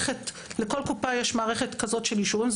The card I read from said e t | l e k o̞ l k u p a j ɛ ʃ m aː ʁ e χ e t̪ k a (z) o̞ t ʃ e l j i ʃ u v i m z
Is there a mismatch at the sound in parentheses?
no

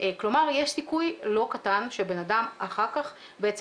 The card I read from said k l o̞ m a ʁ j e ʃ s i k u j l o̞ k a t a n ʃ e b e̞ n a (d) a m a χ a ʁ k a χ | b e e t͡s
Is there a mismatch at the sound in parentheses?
no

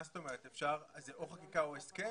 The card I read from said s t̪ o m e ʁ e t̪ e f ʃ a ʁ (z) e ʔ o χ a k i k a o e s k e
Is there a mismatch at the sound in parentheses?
no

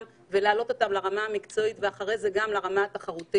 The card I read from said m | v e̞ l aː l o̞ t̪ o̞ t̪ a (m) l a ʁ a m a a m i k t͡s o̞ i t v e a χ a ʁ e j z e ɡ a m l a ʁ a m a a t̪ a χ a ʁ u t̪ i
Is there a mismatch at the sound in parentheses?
no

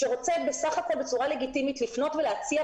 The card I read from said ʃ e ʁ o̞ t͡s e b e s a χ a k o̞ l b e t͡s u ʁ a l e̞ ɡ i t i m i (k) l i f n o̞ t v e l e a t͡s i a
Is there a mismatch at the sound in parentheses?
yes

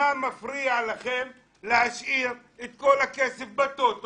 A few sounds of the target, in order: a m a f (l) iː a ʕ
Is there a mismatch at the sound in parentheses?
yes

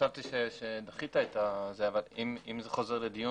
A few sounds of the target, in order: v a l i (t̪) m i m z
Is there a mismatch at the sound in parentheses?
yes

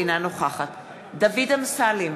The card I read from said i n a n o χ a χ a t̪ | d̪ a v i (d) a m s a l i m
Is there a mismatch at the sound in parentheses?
no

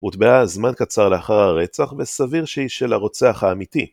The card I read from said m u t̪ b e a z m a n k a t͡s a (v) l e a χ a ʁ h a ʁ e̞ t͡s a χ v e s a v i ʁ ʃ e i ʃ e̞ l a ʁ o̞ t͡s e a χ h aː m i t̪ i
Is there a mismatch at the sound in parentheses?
yes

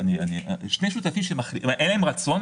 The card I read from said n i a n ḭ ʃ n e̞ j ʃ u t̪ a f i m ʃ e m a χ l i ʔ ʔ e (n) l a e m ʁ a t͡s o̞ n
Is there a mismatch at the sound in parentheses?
no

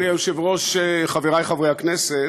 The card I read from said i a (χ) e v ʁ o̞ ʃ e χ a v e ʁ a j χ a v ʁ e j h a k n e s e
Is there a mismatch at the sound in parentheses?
yes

